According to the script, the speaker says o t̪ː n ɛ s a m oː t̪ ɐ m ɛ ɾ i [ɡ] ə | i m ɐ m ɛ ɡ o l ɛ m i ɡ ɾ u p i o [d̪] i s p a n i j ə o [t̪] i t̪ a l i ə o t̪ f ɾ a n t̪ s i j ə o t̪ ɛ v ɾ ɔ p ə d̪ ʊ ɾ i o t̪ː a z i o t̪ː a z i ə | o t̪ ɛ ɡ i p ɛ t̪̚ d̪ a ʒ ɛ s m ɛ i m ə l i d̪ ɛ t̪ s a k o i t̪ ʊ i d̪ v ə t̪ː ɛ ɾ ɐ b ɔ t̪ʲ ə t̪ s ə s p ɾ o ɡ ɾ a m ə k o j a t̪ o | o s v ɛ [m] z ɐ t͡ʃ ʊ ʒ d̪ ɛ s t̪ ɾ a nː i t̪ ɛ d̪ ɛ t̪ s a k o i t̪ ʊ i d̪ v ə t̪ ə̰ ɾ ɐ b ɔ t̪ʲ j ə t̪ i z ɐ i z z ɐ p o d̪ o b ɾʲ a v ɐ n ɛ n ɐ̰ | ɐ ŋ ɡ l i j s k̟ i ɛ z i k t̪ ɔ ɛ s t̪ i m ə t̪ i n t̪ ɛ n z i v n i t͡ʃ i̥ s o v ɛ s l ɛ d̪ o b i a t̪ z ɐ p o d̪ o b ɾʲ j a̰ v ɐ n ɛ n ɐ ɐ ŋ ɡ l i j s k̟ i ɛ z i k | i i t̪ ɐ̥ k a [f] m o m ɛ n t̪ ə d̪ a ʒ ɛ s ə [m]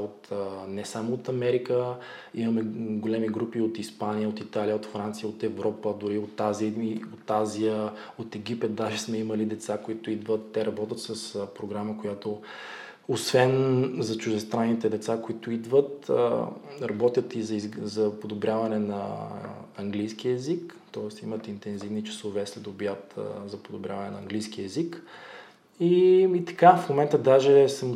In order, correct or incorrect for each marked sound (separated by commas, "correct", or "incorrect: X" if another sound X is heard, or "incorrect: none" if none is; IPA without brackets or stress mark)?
incorrect: k, incorrect: t̪, correct, incorrect: n, correct, correct